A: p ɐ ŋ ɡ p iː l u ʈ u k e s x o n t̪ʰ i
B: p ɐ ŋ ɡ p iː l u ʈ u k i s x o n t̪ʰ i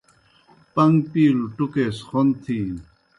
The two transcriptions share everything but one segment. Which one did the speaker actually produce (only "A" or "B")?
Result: A